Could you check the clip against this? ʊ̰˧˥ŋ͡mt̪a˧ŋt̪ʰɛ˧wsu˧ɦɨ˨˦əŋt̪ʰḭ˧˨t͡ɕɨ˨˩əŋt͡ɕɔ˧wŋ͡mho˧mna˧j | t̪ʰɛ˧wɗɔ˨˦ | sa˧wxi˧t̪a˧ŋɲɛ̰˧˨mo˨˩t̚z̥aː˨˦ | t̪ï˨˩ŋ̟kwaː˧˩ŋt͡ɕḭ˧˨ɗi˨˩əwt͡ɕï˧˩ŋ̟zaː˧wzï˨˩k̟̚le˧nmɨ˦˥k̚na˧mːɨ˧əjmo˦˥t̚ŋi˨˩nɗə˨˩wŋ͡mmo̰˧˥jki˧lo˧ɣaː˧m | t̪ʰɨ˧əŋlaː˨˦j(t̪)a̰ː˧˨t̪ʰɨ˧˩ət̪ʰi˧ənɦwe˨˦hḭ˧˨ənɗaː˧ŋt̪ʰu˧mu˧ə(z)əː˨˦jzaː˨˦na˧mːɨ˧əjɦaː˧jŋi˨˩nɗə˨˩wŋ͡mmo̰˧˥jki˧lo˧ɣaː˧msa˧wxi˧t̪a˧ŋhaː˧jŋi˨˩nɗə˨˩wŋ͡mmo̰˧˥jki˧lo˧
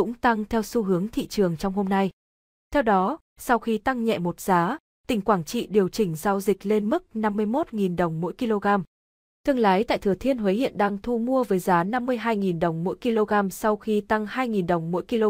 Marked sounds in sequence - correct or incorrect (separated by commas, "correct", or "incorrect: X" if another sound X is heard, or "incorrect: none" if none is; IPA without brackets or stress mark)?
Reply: correct, incorrect: v